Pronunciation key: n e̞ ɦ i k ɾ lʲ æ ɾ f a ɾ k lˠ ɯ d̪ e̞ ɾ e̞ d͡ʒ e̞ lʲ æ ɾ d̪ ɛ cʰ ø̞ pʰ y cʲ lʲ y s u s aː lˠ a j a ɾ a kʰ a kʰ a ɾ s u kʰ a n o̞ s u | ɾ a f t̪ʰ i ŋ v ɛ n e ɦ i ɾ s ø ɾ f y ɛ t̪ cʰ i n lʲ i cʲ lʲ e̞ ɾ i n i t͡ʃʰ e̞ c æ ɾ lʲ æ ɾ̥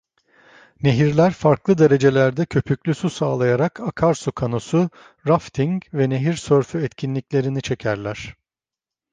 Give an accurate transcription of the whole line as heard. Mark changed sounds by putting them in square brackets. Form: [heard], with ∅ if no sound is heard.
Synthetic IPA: n e̞ ɦ i [∅] ɾ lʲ æ ɾ f a ɾ k lˠ ɯ d̪ e̞ ɾ e̞ d͡ʒ e̞ lʲ æ ɾ d̪ ɛ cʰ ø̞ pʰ y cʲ lʲ y s u s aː lˠ a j a ɾ a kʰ a kʰ a ɾ s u kʰ a n o̞ s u | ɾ a f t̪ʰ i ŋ v ɛ n e ɦ i ɾ s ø ɾ f y ɛ t̪ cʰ i n lʲ i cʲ lʲ e̞ ɾ i n i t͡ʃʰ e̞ [cʰ] æ ɾ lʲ æ ɾ̥